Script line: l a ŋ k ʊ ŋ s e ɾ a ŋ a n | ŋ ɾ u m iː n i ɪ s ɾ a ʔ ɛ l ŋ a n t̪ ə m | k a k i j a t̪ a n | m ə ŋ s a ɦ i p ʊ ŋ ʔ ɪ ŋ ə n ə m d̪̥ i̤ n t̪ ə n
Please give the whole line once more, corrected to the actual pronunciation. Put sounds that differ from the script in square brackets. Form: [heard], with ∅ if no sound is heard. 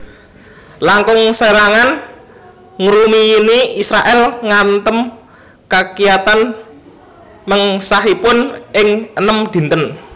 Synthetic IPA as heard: l a ŋ k ʊ ŋ s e ɾ a ŋ a n | ŋ ɾ u m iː n i [i] s ɾ a ʔ ɛ l ŋ a n t̪ ə m | k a k i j a t̪ a n | m ə ŋ s a ɦ i p ʊ [n] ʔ ɪ ŋ ə n ə m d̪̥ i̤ n t̪ ə n

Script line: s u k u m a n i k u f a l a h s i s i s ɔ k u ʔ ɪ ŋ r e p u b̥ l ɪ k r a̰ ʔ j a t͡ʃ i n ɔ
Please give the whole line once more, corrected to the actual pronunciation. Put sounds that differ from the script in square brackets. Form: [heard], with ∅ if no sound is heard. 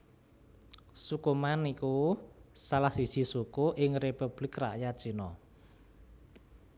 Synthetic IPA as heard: s u k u m a n i k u [s] a l a h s i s i s [u] k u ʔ ɪ ŋ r e p u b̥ l ɪ k r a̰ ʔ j a t͡ʃ i n ɔ

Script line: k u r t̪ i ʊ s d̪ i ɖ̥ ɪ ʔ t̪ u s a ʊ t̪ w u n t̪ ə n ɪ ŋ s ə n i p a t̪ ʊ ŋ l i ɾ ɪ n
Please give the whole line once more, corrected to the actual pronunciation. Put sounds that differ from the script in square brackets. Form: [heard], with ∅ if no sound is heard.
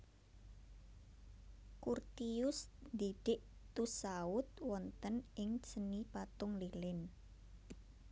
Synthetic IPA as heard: k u r t̪ i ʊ s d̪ i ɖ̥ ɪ ʔ t̪ u s a ʊ t̪ w [ɔ] n t̪ ə n ɪ ŋ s ə n i p a t̪ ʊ ŋ l i [l] ɪ n

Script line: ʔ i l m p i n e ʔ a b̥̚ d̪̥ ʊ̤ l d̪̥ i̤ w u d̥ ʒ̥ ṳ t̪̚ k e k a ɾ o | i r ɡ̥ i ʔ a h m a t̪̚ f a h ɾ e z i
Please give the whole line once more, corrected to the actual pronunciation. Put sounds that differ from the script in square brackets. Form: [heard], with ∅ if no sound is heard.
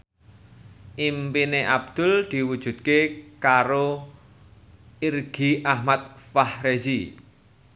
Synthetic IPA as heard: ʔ i [∅] m p i n e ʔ a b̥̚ d̪̥ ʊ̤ l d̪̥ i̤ w u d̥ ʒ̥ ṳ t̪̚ k e k a ɾ o | i r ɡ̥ i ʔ a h m a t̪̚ f a h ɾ e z i

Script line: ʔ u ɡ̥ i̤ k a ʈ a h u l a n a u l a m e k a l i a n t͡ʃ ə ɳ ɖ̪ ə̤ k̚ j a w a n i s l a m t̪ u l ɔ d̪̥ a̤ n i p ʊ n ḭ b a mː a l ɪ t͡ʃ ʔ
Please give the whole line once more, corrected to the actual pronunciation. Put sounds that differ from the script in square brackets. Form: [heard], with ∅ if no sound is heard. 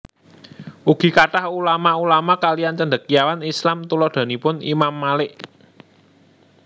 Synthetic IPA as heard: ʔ u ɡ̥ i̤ k a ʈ a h u l a [m] a u l a m [a] k a l i a n t͡ʃ ə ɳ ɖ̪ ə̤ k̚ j a w a n i s l a m t̪ u l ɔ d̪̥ a̤ n i p ʊ n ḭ [m] a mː a l ɪ [∅] ʔ

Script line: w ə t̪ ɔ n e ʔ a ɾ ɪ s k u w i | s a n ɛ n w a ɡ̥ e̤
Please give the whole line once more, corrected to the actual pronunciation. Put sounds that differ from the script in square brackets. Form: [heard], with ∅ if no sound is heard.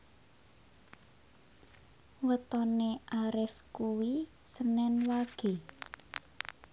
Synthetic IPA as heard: w ə t̪ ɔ n e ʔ a ɾ ɪ [f] k u w i | s [ə] n ɛ n w a ɡ̥ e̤

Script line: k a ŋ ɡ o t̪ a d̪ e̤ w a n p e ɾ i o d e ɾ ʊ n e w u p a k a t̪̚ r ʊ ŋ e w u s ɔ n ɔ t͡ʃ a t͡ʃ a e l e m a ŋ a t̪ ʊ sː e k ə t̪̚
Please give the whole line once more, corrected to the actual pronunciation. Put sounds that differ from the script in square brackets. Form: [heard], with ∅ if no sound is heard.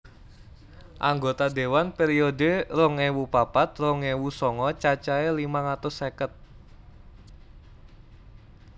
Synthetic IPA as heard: [ʔ] a ŋ ɡ o t̪ a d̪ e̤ w a n p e ɾ i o d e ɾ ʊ [ŋ] e w u p a [p] a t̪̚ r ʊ ŋ e w u s ɔ [ŋ] ɔ t͡ʃ a t͡ʃ a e l [i] m a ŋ a t̪ ʊ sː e k ə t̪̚

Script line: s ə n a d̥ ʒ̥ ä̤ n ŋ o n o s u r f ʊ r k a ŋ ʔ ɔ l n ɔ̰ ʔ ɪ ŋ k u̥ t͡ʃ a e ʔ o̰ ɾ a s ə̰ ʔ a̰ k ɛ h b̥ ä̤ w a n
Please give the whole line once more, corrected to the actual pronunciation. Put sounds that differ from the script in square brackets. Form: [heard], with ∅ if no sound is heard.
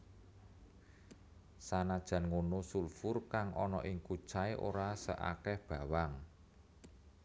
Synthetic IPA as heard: s [a] n a d̥ ʒ̥ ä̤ n ŋ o n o s u [l] f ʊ r k a ŋ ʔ ɔ [∅] n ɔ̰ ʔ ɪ ŋ k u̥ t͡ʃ a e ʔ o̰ ɾ a s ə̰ ʔ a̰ k ɛ h b̥ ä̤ w a [ŋ]

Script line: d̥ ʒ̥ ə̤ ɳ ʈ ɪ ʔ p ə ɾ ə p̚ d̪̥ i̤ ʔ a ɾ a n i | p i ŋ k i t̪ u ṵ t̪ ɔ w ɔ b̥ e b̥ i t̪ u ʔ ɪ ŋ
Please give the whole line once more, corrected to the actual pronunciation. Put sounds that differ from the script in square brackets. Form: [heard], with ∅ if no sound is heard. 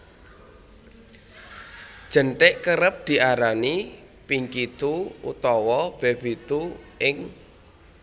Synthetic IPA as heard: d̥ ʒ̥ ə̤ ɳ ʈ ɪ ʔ [k] ə ɾ ə p̚ d̪̥ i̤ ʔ a ɾ a n i | p i ŋ k i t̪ u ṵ t̪ ɔ w ɔ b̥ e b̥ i t̪ u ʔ ɪ ŋ

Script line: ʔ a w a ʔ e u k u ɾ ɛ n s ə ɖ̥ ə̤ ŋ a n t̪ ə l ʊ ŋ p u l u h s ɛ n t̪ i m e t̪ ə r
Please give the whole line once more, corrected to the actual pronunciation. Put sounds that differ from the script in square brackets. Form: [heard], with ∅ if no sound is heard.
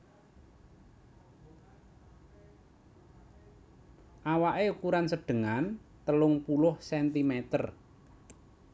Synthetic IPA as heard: ʔ a w a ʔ e u k u ɾ [a] n s ə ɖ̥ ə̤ ŋ a n t̪ ə l ʊ ŋ p u l [ʊ] h s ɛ n t̪ i m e t̪ ə r

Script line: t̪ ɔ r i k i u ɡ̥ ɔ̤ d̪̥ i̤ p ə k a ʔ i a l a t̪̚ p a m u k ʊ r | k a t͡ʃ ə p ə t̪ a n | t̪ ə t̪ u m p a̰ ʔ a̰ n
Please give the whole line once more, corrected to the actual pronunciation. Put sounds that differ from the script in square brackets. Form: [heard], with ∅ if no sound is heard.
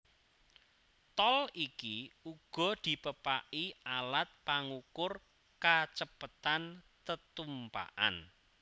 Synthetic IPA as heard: t̪ ɔ [l] i k i u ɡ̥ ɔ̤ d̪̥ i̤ p ə [p] a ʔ i a l a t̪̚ p a [ŋ] u k ʊ r | k a t͡ʃ ə p ə t̪ a n | t̪ ə t̪ u m p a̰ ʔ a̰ n

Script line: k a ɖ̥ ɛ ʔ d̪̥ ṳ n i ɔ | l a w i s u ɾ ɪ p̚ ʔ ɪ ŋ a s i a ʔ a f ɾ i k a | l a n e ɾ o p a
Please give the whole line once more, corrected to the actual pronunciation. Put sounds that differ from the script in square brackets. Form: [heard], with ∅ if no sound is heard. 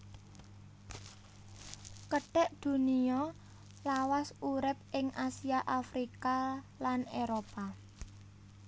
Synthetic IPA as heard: k [ə] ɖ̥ ɛ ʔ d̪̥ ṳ n i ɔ | l a w [a] s u ɾ ɪ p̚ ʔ ɪ ŋ a s i a ʔ a f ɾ i k a | l a n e ɾ o p a

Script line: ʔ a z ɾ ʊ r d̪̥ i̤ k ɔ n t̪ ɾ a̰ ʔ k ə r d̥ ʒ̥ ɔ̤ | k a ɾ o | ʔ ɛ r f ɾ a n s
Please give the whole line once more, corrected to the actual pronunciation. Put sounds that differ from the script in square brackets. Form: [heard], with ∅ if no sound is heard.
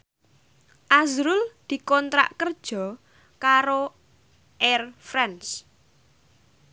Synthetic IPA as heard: ʔ a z ɾ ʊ [l] d̪̥ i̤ k ɔ n t̪ ɾ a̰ ʔ k ə r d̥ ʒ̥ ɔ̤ | k a ɾ o | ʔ ɛ r f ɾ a n s

